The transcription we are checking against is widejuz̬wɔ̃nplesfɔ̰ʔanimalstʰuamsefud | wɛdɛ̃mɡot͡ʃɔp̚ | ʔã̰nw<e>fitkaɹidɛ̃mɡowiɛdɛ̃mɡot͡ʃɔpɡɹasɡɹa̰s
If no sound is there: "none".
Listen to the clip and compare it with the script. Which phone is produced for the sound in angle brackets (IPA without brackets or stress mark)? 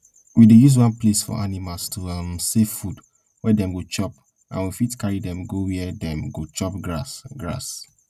i